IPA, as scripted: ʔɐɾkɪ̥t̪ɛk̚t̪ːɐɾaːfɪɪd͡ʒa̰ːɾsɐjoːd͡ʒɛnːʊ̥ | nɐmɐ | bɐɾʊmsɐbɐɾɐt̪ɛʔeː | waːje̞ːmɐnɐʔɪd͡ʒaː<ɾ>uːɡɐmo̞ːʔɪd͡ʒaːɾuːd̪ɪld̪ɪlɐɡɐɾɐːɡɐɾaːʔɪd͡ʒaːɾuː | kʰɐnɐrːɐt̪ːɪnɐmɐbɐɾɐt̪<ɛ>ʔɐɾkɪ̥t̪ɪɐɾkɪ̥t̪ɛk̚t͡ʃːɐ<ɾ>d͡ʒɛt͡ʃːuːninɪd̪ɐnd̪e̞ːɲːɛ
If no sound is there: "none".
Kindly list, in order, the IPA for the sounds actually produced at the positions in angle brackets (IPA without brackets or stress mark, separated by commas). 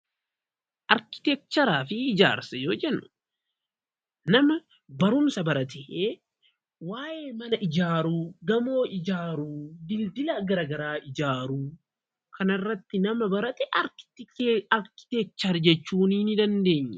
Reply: ɾ, ɛ, ɾ